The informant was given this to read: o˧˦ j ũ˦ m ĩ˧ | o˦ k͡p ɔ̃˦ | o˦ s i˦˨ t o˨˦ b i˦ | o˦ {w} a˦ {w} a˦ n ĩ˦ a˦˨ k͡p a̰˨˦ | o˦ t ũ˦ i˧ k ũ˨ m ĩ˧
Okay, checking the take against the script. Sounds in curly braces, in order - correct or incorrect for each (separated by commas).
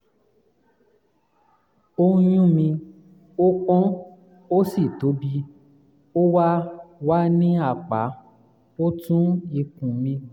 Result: correct, correct